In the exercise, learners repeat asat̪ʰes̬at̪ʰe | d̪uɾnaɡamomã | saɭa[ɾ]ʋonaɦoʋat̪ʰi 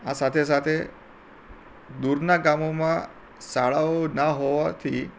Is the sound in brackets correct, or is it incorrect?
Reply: incorrect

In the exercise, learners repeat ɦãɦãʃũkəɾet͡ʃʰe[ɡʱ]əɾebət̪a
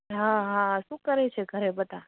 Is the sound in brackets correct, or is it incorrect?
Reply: correct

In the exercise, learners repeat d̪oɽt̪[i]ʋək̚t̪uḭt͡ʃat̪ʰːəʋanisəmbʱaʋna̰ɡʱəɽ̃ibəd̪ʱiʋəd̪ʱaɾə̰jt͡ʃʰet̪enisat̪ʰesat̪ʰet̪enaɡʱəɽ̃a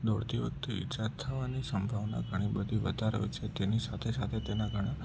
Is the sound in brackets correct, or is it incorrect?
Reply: correct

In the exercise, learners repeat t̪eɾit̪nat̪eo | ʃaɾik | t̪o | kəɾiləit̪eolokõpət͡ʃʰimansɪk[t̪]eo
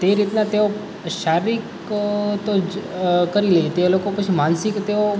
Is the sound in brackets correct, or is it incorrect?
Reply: correct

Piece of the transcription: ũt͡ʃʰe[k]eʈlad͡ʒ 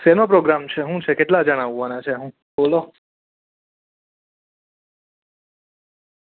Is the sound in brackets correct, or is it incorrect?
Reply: correct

